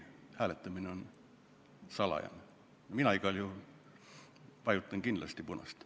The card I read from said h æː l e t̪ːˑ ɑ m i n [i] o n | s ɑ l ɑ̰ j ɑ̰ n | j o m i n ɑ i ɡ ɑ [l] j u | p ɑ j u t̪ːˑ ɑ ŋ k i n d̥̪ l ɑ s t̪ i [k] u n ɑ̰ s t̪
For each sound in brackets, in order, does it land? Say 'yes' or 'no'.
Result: no, yes, no

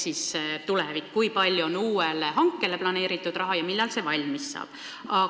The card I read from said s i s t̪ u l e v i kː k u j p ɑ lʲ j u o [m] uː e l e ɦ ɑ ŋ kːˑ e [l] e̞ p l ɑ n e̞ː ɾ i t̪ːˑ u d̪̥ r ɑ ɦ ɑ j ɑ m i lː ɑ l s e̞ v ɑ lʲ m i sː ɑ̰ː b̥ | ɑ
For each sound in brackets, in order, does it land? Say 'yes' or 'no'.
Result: no, yes

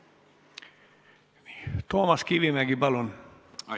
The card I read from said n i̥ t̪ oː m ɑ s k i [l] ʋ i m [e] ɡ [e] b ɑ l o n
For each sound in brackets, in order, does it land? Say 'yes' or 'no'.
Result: no, no, no

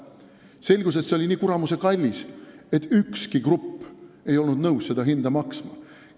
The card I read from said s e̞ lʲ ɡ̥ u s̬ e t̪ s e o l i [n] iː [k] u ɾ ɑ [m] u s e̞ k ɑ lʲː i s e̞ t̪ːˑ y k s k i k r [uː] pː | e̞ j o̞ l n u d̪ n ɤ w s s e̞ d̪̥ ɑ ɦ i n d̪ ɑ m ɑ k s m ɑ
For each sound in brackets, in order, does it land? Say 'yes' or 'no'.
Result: yes, yes, yes, no

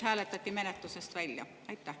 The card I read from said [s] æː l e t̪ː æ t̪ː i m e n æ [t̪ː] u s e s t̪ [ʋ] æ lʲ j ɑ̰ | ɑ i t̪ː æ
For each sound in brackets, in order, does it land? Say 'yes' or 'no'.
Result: no, yes, yes

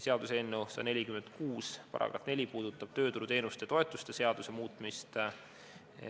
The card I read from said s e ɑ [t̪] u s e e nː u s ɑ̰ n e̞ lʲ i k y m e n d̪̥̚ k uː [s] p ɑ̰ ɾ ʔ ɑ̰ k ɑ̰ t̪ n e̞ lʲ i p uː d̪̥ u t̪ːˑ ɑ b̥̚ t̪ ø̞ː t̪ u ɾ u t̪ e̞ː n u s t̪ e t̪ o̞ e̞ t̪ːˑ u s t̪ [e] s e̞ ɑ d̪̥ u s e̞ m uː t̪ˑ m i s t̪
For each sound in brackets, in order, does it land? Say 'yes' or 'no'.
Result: no, yes, yes

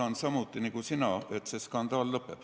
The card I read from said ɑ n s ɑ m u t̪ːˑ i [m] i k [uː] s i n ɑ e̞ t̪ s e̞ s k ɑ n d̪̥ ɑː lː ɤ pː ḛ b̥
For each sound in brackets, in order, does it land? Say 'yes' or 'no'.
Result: no, no

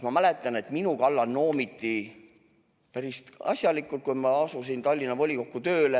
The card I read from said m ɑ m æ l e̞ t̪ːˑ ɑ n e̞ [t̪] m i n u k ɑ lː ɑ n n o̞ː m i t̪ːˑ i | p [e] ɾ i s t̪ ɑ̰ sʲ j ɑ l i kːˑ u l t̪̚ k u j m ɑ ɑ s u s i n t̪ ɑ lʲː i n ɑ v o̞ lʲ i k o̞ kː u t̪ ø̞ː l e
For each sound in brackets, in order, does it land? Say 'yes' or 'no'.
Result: yes, no

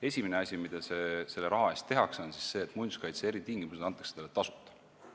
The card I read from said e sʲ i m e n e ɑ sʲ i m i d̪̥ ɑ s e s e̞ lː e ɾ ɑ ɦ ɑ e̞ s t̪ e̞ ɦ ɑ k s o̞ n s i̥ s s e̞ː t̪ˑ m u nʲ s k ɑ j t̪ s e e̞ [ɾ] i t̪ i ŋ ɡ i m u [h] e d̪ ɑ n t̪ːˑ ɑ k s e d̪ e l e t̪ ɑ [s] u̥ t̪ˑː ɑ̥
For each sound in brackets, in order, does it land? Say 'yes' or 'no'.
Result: yes, no, yes

